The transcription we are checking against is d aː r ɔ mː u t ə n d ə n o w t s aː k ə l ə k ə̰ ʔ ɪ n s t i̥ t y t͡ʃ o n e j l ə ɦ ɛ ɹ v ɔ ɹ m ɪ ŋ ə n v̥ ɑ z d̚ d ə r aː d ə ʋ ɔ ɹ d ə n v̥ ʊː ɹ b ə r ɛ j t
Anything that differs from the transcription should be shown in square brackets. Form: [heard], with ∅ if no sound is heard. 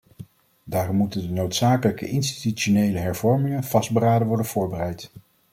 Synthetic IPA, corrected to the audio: d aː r ɔ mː u t ə n d ə n o w t s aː k ə l ə k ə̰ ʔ ɪ n s t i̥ t y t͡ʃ o n e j l ə ɦ ɛ ɹ v ɔ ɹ m ɪ ŋ ə n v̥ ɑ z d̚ [b] ə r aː d ə ʋ ɔ ɹ d ə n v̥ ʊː ɹ b ə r ɛ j t